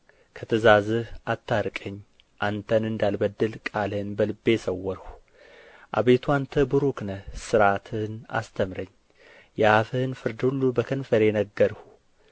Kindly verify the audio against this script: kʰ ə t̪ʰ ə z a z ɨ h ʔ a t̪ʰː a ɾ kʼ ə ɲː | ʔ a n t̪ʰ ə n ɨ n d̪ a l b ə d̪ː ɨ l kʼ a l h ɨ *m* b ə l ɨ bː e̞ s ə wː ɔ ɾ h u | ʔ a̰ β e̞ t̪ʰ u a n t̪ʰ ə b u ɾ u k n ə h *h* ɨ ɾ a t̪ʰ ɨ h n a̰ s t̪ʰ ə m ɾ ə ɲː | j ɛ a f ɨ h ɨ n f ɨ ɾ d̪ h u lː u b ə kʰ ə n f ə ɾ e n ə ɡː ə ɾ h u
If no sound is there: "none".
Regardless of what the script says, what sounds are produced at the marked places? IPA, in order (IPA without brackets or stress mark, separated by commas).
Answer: n, s